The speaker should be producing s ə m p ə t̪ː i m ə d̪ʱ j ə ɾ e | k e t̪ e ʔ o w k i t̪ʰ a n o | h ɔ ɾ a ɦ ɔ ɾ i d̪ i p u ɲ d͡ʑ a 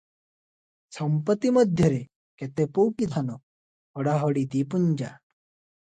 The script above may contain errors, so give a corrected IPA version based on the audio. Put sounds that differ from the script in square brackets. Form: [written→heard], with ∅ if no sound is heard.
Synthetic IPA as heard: s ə m p ə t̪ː i m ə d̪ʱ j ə ɾ e | k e t̪ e [ʔ→p] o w k i t̪ʰ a n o | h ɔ [ɾ→ɽ] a ɦ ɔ [ɾ→ɽ] i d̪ i p u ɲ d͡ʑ a